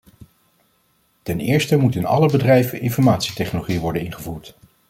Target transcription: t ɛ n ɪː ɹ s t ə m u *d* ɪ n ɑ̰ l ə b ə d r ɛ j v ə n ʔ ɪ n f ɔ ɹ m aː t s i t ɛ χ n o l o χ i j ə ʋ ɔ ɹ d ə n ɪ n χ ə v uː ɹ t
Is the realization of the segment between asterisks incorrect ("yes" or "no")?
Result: yes